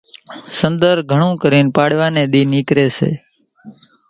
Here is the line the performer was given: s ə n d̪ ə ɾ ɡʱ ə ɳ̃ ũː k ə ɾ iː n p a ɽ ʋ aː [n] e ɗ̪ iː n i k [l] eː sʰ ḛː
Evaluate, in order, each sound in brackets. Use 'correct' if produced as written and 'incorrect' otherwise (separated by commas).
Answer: correct, incorrect